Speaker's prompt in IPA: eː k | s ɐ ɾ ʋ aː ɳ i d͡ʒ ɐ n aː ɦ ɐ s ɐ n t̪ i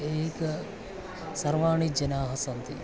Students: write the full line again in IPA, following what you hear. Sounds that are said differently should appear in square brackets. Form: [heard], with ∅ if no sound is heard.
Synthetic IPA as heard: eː k | s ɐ ɾ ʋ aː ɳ i d͡ʒ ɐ n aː ɦ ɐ s ɐ n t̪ i